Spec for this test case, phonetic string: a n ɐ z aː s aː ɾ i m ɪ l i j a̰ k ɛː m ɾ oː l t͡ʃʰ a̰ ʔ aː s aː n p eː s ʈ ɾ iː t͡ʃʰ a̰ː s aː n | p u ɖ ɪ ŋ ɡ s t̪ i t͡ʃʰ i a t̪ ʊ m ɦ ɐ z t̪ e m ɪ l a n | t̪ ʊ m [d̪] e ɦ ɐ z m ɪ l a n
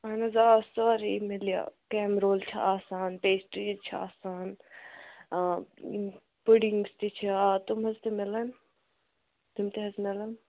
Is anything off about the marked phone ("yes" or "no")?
yes